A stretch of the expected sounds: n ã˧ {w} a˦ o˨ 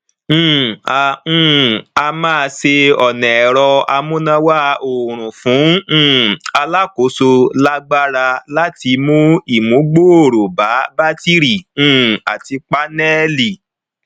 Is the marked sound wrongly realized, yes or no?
no